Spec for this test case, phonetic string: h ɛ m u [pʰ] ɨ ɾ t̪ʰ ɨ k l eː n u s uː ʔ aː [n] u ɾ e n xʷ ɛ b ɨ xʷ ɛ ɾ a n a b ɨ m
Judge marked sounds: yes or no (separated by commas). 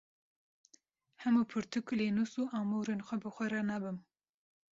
yes, no